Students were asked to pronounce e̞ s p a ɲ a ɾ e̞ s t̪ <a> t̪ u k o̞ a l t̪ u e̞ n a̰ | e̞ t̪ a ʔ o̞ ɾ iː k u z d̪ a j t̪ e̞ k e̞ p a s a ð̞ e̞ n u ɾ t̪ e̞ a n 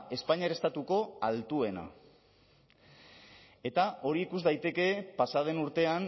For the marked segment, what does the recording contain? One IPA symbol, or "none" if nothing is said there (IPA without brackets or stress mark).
a